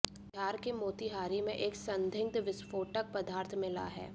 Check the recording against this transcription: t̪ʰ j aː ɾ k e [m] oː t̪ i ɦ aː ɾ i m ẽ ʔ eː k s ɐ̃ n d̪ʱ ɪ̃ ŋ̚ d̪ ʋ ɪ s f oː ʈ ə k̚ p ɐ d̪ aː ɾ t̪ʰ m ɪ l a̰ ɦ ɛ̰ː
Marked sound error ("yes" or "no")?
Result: no